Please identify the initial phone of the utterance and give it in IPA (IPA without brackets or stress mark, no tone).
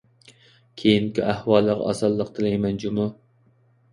kʲʰ